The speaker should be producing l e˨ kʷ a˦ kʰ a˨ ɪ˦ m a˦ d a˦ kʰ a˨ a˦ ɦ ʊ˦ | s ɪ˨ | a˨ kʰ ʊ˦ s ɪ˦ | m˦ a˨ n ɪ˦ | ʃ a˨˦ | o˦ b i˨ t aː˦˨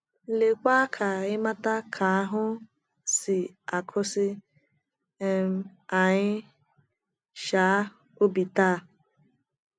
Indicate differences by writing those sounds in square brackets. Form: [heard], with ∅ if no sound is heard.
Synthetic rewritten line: l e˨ kʷ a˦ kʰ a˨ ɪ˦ m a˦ [t] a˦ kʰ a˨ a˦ ɦ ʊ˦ | s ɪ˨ | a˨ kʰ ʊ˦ s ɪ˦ | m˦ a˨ [ɲ] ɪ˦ | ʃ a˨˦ | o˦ b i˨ t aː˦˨